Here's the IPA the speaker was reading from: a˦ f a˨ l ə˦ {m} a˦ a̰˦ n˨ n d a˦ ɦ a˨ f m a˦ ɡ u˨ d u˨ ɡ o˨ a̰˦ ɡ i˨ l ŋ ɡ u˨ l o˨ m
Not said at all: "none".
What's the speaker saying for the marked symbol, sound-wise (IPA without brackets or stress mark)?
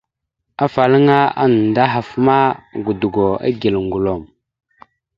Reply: ŋ